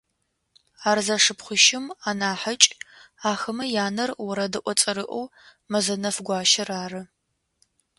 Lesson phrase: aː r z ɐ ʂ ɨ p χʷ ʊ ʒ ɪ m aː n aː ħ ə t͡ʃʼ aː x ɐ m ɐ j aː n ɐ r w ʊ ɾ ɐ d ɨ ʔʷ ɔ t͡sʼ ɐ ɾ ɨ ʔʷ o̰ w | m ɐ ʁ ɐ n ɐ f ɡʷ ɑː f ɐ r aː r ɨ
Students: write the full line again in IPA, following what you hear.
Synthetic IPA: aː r z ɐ ʂ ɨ p χʷ ʊ ʃ ɪ m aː n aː ħ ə t͡ʃʼ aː x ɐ m ɐ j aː n ɐ r w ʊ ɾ ɐ d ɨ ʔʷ ɔ t͡sʼ ɐ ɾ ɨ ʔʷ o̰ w | m ɐ z ɐ n ɐ f ɡʷ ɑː ʃ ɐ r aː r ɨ